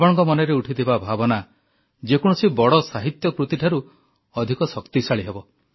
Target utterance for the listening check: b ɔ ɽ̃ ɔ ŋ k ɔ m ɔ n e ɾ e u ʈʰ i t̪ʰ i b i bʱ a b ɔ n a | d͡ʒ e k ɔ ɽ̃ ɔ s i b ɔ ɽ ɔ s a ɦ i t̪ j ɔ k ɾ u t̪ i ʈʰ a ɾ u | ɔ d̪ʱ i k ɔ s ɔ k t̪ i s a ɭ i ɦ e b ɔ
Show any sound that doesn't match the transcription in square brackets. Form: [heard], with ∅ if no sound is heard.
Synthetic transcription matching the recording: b ɔ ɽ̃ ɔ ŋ k ɔ m ɔ n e ɾ e u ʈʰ i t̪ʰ i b [a] bʱ a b ɔ n a | d͡ʒ e k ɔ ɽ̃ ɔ s i b ɔ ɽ ɔ s a ɦ i t̪ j ɔ k ɾ u t̪ i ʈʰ a ɾ u | ɔ d̪ʱ i k ɔ s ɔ k t̪ i s a ɭ i ɦ e b ɔ